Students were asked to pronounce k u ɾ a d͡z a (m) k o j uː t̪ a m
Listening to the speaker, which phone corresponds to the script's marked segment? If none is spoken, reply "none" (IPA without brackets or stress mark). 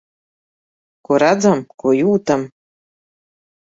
m